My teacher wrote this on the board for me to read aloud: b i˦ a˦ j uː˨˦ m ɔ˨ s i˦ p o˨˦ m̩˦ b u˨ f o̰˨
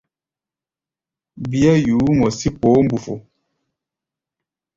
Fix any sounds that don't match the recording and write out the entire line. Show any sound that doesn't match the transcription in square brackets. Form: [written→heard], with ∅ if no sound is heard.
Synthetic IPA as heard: b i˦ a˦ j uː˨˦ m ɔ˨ s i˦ p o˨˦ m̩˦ b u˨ f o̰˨